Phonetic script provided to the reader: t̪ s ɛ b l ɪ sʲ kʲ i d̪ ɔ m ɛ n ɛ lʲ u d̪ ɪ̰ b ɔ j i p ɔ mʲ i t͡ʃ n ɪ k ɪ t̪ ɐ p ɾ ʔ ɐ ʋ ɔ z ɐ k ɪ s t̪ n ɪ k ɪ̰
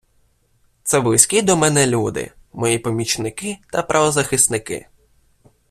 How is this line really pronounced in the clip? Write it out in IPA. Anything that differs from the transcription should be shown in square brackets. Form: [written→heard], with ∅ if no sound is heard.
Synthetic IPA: t̪ s ɛ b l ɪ sʲ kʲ i d̪ ɔ m ɛ n ɛ lʲ u d̪ ɪ̰ [b→m] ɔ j i p ɔ mʲ i t͡ʃ n ɪ k ɪ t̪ ɐ p ɾ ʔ ɐ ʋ ɔ z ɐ [k→x] ɪ s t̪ n ɪ k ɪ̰